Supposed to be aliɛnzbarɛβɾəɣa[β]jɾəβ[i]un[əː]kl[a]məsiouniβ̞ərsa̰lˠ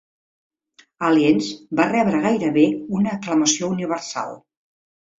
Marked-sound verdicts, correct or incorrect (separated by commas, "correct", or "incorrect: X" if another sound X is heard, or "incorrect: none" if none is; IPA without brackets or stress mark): incorrect: none, incorrect: e, correct, incorrect: ə